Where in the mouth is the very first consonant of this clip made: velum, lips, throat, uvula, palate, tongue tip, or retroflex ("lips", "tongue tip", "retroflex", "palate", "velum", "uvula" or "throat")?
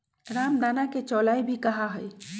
tongue tip